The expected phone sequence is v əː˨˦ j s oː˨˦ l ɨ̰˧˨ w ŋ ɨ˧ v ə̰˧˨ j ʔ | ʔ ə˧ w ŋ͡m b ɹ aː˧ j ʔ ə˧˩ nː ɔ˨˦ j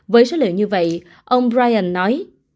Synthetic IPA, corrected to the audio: v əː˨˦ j s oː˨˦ l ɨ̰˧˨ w ɲ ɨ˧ v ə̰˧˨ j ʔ | ʔ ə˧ w ŋ͡m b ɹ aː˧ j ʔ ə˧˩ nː ɔ˨˦ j